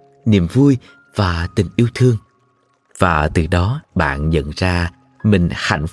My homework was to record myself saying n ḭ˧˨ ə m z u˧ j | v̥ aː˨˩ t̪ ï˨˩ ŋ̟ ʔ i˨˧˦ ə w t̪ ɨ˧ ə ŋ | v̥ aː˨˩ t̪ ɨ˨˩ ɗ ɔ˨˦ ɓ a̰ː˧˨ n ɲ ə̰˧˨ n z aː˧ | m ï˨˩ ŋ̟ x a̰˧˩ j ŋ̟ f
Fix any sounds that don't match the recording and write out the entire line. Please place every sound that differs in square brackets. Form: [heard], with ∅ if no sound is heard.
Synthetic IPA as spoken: n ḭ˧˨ ə m [v] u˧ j | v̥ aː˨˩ t̪ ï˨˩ ŋ̟ ʔ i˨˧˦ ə w [t̪ʰ] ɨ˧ ə ŋ | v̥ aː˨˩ t̪ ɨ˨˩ ɗ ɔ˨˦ ɓ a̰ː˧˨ n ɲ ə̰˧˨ n z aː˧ | m ï˨˩ ŋ̟ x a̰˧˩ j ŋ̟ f